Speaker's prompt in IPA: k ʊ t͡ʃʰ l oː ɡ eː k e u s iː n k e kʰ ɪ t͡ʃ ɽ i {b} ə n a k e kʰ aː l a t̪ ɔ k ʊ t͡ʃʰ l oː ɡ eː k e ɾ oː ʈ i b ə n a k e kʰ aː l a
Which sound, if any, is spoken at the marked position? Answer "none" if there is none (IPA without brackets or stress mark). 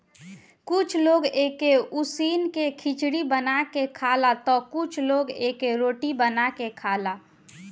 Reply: b